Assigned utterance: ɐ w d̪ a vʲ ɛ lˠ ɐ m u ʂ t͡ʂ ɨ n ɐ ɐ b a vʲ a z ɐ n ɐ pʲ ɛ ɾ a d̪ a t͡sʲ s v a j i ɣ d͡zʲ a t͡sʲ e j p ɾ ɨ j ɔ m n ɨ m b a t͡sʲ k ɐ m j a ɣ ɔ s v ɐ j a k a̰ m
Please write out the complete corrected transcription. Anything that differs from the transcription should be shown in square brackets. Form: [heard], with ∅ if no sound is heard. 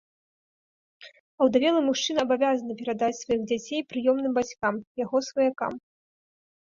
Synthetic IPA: ɐ w d̪ a vʲ ɛ lˠ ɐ m u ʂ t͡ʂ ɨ n ɐ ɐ b a vʲ a z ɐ n ɐ pʲ ɛ ɾ a d̪ a t͡sʲ s v a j i ɣ d͡zʲ a t͡sʲ e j p ɾ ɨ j ɔ m n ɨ m b a t͡sʲ k [a] m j a ɣ ɔ s v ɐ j a k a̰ m